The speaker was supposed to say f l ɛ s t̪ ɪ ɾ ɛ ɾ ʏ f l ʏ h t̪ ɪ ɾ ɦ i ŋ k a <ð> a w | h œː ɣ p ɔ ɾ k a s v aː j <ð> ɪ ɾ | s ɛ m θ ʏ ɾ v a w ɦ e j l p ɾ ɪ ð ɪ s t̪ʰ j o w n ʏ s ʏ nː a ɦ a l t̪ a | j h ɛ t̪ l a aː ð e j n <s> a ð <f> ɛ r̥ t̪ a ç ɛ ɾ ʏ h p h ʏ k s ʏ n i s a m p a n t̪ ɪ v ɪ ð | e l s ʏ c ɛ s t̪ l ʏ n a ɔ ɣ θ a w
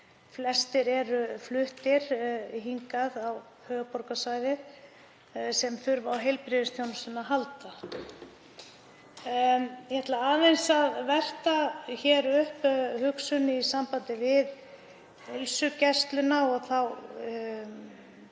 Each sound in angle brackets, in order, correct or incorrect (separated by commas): correct, correct, correct, incorrect